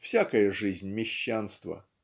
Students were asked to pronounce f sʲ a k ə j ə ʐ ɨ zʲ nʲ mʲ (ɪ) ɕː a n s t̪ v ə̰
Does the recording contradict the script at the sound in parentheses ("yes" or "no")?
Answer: no